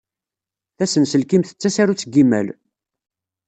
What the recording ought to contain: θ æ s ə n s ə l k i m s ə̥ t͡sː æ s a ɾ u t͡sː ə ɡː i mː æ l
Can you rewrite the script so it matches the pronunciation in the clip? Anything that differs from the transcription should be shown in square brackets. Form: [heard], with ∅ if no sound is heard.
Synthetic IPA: θ æ s ə n s ə l k i m [θ] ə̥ t͡sː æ s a ɾ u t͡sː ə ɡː i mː æ l